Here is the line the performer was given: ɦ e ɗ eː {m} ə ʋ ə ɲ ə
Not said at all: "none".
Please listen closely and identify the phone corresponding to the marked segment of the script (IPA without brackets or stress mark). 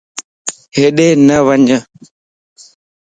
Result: n